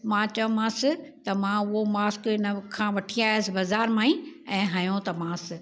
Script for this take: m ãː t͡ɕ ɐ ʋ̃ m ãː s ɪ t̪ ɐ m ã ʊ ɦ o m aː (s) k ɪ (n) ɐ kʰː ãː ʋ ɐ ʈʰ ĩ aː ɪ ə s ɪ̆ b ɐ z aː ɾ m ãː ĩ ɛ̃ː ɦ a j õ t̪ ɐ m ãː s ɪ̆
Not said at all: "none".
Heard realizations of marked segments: s, n

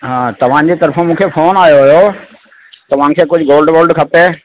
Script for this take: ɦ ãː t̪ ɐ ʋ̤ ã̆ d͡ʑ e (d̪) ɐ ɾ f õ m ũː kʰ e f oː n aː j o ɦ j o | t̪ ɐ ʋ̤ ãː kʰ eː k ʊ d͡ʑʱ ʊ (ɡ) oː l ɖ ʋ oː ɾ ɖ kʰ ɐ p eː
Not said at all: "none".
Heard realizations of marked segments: t̪, ɡ

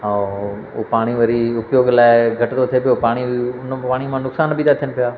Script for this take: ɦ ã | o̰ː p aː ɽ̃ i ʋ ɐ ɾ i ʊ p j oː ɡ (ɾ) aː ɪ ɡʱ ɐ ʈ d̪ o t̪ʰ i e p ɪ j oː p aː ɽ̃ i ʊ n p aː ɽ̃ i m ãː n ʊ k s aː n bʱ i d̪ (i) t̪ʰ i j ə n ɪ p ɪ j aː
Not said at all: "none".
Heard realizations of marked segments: l, a

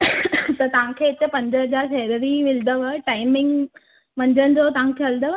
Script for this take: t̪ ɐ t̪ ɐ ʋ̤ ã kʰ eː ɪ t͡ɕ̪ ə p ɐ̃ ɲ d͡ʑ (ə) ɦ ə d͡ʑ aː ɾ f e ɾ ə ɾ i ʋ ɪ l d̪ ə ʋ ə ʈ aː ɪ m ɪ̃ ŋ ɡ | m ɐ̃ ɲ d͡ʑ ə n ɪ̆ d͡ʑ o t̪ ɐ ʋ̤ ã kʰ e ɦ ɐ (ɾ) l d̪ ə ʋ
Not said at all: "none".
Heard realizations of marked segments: ə, none

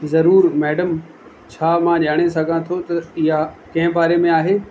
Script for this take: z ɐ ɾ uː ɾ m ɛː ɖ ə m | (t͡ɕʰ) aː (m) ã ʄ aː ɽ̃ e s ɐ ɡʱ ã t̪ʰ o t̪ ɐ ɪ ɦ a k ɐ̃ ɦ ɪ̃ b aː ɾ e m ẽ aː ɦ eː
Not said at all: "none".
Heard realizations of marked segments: t͡ɕʰ, m

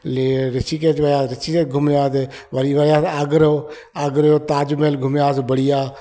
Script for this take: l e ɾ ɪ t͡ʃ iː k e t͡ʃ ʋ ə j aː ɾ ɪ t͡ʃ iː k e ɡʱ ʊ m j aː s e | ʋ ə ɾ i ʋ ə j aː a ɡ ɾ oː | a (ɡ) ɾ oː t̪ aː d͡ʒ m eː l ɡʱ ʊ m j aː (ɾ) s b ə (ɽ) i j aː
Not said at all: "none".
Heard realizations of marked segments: ɡ, none, ɽ

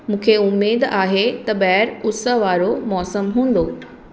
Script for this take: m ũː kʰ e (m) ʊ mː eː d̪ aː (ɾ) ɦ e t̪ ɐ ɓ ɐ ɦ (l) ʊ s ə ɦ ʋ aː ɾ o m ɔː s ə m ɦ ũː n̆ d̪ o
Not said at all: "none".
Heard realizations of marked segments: none, none, ɾ

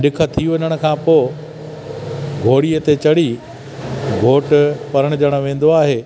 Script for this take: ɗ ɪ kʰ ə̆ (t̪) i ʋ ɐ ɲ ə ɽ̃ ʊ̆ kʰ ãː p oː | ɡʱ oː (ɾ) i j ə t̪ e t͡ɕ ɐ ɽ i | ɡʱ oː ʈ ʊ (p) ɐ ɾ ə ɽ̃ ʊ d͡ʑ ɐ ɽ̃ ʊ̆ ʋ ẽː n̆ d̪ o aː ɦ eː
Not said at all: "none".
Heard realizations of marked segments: t̪ʰ, ɽ, p

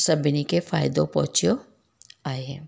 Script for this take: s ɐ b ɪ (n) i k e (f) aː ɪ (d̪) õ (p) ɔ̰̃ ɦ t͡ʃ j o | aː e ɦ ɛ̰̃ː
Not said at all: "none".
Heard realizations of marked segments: n, f, d̪, p

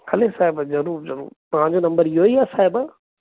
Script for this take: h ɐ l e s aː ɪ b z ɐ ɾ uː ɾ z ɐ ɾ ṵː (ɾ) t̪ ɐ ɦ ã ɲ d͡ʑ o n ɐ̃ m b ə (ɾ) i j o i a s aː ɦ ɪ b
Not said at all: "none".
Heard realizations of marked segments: ɾ, ɾ

